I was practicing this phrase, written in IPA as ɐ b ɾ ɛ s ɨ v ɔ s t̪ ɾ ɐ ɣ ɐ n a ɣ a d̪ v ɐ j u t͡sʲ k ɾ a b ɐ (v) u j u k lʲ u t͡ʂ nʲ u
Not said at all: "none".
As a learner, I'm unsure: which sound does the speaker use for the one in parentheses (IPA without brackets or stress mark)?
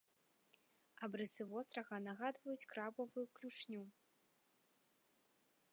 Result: v